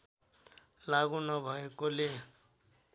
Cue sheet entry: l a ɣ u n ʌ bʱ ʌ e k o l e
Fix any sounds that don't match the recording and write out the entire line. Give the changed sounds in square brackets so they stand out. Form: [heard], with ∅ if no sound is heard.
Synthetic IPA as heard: l a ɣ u n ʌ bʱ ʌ e k o l e